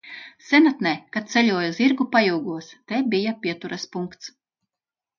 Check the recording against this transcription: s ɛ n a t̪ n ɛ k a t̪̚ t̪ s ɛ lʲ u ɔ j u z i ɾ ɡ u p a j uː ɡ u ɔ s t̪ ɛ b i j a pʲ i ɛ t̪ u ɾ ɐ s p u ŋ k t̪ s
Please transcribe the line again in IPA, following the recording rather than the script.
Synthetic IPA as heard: s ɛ n a t̪ n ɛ k a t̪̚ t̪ s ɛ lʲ u ɔ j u z i ɾ ɡ u p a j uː ɡ u ɔ s t̪ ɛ b i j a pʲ i ɛ t̪ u ɾ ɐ s p u ŋ k t̪ s

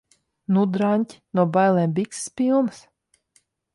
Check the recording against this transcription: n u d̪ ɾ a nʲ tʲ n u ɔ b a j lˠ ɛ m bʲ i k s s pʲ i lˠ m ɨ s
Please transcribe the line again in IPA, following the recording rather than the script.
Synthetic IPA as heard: n u d̪ ɾ a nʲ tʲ n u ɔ b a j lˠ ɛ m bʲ i k s s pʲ i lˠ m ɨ s

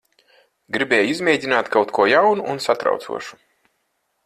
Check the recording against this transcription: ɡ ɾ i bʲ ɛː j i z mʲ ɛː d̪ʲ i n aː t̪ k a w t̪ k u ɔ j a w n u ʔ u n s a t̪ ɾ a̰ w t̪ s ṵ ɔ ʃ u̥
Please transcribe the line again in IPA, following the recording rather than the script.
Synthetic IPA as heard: ɡ ɾ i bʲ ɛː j i z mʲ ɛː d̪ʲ i n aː t̪ k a w t̪ k u ɔ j a w n u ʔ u n s a t̪ ɾ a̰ w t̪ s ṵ ɔ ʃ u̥

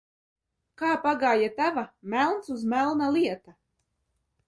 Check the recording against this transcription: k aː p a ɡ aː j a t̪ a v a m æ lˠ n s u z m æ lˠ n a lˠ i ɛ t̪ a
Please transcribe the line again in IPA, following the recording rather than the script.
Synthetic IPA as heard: k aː p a ɡ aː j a t̪ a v a m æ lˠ n s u z m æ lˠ n a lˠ i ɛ t̪ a

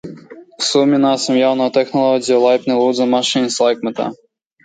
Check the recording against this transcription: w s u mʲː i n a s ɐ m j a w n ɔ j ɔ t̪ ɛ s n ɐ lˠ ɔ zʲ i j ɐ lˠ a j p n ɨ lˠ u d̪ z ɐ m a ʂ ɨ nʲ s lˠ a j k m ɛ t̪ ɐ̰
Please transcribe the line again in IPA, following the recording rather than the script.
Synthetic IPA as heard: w s u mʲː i n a s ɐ m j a w n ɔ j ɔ t̪ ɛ x n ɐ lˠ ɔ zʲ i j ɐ lˠ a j p n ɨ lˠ u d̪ z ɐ m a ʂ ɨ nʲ s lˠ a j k m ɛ t̪ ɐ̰

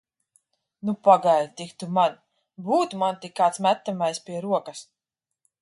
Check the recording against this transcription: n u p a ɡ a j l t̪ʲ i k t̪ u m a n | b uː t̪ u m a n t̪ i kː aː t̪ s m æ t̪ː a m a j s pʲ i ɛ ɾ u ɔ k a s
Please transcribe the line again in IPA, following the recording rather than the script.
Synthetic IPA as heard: n u p a ɡ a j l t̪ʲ i k t̪ u m a n | b uː t̪ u m a n t̪ i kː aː t̪ s m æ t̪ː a m a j s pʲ i ɛ ɾ u ɔ k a s

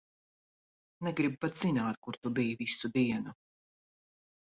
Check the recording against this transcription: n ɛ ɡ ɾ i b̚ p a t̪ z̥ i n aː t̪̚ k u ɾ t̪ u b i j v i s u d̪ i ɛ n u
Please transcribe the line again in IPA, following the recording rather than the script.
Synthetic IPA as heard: n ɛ ɡ ɾ i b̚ p a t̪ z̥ i n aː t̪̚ k u ɾ t̪ u b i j v i s u d̪ i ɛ n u

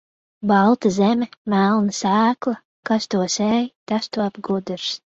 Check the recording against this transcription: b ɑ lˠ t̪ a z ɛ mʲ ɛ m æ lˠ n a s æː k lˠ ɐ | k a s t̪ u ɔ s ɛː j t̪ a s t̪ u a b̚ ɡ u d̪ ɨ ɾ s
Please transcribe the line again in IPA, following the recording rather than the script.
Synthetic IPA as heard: b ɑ lˠ t̪ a z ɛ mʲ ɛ m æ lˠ n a s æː k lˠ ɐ | k a s t̪ u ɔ s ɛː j t̪ a s t̪ u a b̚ ɡ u d̪ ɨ ɾ s

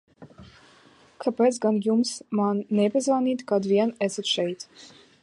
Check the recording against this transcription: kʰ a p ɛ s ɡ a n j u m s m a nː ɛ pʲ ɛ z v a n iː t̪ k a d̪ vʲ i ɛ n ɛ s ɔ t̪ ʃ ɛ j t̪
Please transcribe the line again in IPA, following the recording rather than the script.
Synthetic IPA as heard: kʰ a p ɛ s ɡ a n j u m s m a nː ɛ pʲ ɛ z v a n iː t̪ k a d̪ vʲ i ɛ n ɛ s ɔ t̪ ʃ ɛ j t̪

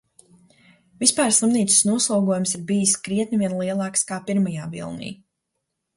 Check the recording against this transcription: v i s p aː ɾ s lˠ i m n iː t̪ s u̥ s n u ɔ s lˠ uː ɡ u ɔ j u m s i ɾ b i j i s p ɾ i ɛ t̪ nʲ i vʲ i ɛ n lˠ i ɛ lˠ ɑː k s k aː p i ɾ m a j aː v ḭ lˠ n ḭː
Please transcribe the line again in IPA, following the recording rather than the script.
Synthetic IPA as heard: v i s p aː ɾ s lˠ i m n iː t̪ s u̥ s n u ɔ s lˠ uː ɡ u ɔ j u m s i ɾ b i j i s k ɾ i ɛ t̪ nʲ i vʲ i ɛ n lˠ i ɛ lˠ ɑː k s k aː p i ɾ m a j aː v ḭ lˠ n ḭː

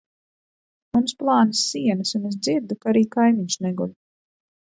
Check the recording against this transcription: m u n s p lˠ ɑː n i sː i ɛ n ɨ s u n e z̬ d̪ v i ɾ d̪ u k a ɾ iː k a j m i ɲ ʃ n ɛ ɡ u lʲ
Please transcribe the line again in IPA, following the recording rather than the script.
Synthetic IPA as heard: m u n s p lˠ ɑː n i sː i ɛ n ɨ s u n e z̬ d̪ z i ɾ d̪ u k a ɾ iː k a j m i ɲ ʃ n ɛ ɡ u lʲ

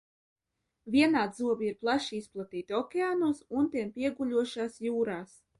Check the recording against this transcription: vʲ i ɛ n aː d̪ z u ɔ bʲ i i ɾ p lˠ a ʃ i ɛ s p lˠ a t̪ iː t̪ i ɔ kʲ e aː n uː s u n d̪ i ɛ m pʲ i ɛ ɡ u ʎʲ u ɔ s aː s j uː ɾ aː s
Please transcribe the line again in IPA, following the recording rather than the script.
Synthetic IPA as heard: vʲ i ɛ n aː d̪ z u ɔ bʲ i i ɾ p lˠ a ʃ i i s p lˠ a t̪ iː t̪ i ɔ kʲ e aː n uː s u n t̪ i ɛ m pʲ i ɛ ɡ u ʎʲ u ɔ ʃ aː s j uː ɾ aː s

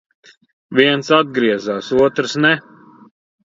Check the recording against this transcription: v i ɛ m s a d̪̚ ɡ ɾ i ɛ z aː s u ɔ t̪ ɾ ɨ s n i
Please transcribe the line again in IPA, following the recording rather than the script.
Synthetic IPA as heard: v i ɛ n s a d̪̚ ɡ ɾ i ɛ z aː s u ɔ t̪ ɾ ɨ s n ɛ

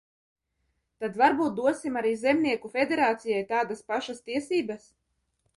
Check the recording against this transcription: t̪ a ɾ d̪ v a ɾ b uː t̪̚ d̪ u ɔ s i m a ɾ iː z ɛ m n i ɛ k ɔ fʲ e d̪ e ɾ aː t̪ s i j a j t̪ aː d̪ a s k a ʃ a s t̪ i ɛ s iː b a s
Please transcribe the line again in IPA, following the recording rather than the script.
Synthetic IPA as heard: t̪ a d̪ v a ɾ b uː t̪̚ d̪ u ɔ s i m a ɾ iː z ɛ m n i ɛ k u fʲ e d̪ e ɾ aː t̪ s i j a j t̪ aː d̪ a s p a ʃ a s t̪ i ɛ s iː b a s

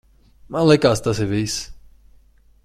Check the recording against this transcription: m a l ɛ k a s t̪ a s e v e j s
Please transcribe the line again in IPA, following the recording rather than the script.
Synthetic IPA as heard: m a l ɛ k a s t̪ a s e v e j s

